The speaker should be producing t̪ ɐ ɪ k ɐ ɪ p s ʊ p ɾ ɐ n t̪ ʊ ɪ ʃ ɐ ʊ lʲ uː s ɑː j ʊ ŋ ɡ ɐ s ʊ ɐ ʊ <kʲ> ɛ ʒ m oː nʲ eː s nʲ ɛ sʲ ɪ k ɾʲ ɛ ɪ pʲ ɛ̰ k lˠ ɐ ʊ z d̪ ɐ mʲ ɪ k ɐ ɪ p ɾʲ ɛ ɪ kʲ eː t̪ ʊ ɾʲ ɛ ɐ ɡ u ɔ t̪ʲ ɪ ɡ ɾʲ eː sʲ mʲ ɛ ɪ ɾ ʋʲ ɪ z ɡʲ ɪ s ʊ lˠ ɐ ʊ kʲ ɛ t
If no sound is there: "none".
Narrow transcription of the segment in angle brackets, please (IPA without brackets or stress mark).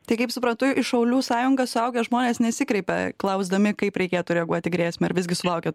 ɡʲ